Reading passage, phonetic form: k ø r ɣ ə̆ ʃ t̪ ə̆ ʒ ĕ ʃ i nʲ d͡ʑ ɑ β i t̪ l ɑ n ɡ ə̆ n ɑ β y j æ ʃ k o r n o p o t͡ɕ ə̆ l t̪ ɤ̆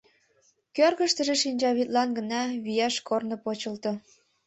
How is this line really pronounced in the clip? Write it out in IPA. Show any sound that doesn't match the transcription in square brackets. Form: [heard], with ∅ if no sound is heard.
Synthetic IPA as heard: k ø r ɣ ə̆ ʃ t̪ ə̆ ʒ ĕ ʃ i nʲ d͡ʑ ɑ β i t̪ l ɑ n ɡ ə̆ n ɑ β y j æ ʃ k o r n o p o t͡ɕ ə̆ l t̪ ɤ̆